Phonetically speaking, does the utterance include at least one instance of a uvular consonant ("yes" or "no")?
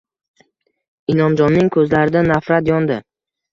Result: no